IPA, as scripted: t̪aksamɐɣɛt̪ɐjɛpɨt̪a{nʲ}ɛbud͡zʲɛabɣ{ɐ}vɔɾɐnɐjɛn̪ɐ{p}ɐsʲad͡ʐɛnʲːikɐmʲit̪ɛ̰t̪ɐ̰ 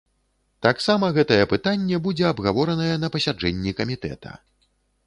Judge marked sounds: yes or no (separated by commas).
no, no, yes